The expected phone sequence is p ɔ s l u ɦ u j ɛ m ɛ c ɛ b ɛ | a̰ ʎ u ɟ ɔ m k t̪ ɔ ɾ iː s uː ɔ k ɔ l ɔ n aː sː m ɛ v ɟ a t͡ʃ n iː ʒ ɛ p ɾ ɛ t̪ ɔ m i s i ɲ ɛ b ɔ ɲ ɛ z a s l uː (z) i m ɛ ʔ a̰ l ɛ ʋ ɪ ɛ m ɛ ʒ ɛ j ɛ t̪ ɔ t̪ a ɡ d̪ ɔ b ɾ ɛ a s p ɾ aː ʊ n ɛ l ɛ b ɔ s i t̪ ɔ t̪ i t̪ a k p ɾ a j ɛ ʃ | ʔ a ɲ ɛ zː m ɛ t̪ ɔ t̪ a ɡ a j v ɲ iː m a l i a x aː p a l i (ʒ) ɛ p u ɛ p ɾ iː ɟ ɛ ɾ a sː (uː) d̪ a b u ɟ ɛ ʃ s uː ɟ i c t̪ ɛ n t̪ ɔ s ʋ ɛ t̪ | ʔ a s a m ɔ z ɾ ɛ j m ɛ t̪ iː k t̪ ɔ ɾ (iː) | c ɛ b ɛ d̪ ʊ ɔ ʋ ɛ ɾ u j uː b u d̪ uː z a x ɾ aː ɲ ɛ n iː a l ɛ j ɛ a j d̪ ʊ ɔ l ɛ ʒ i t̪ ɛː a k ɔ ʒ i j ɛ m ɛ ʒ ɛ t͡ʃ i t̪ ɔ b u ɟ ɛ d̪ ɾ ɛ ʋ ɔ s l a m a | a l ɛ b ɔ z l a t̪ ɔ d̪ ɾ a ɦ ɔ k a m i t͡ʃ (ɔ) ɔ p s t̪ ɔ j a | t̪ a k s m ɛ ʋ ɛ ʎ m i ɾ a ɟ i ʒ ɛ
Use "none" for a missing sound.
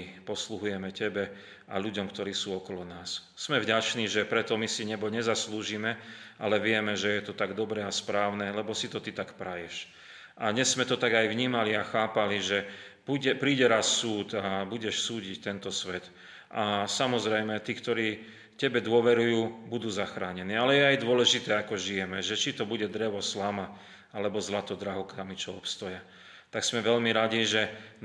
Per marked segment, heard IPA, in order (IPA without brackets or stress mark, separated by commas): ʒ, ʒ, uː, iː, ɔ